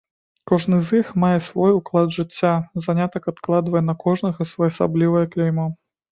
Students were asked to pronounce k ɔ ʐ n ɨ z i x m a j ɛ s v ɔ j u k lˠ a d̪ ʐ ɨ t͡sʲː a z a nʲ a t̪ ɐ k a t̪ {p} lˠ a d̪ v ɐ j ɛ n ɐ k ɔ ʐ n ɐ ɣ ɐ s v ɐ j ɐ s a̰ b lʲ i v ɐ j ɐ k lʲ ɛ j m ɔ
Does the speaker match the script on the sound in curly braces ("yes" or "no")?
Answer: no